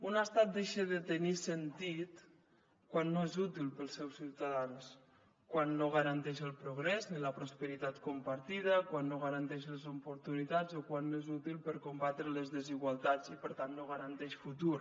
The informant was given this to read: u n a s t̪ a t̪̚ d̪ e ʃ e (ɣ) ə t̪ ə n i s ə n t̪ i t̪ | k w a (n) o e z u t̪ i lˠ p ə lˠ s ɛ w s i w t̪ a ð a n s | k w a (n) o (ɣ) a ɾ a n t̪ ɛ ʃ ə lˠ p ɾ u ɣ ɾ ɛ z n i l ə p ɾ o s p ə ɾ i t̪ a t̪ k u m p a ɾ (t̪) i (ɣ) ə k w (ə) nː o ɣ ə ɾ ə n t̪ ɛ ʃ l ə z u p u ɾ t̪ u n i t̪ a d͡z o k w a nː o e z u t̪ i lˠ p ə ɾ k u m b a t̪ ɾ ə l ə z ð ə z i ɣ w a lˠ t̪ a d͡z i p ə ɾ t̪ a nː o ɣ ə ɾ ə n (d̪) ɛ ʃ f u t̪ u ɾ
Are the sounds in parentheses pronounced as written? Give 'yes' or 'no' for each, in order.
no, no, no, yes, yes, no, no, no

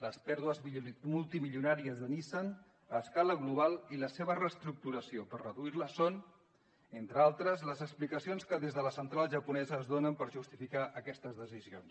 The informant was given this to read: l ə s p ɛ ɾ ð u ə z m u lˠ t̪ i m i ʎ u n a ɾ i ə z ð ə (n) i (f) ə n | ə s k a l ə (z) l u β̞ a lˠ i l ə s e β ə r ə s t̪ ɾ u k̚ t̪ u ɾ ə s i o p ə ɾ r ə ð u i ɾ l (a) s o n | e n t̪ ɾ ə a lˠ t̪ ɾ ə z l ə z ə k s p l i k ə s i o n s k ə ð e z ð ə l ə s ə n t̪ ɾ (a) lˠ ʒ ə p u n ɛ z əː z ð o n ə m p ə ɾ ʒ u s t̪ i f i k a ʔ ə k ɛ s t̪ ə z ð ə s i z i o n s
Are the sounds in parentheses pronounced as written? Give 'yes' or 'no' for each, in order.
yes, no, no, no, yes

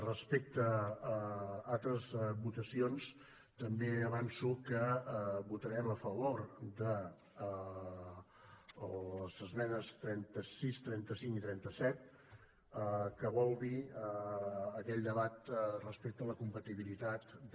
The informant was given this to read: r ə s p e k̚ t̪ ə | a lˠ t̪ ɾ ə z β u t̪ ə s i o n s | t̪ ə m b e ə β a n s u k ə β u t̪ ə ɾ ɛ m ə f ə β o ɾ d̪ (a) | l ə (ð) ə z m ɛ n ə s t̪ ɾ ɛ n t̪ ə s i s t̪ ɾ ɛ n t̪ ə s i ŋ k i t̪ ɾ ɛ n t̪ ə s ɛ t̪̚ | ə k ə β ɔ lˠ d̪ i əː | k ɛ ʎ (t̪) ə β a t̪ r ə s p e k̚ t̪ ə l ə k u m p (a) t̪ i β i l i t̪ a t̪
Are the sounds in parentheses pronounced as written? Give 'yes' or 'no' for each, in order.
no, no, no, no

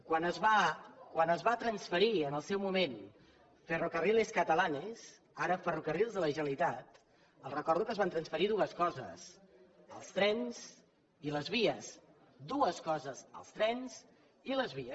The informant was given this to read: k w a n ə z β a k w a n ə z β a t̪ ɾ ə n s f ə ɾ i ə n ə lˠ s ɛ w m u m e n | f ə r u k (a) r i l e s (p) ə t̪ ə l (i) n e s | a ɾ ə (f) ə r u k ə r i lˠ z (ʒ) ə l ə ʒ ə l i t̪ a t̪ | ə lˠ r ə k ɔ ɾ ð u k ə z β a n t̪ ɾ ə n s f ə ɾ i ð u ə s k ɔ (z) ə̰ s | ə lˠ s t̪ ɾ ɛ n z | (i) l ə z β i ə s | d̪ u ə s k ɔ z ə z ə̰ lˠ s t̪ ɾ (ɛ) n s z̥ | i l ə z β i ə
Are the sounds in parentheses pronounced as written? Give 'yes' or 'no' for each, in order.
no, no, no, yes, no, yes, yes, yes

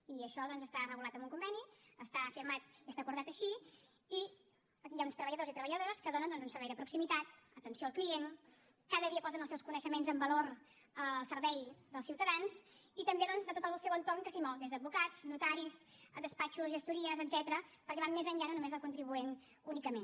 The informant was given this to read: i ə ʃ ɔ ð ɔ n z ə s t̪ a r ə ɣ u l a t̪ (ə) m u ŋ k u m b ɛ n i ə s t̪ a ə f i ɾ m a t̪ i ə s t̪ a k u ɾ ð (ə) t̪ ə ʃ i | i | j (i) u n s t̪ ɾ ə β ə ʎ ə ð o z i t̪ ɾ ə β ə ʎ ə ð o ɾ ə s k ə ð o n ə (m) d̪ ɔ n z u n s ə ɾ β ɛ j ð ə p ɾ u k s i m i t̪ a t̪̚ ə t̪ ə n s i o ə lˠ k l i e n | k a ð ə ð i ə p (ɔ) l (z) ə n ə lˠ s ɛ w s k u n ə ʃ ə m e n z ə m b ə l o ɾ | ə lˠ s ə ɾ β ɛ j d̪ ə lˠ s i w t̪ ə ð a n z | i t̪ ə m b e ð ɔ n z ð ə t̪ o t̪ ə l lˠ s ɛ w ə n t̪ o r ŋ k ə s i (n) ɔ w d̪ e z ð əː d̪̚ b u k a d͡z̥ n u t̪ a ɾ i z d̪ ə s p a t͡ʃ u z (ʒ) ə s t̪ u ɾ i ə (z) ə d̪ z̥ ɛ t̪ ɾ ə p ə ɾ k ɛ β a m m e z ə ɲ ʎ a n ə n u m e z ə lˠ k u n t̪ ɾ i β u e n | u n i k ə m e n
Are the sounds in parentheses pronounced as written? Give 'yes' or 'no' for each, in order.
yes, no, no, no, yes, yes, no, yes, yes

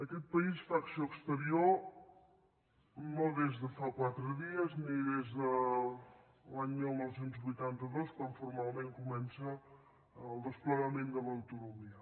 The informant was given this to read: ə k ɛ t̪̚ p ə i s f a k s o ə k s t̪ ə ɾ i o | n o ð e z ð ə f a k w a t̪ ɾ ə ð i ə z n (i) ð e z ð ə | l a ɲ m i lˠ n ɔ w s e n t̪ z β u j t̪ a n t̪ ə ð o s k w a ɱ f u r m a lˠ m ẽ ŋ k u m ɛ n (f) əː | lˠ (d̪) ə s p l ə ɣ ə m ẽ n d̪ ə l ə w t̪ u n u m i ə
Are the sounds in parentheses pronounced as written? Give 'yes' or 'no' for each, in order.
yes, no, yes

